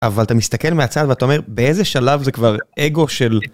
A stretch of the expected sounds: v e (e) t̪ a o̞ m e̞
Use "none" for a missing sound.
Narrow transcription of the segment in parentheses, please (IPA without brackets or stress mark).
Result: a